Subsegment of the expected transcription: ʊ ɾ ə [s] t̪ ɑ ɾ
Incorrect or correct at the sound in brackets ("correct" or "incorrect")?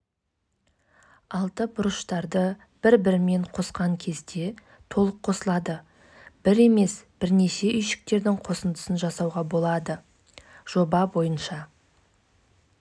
incorrect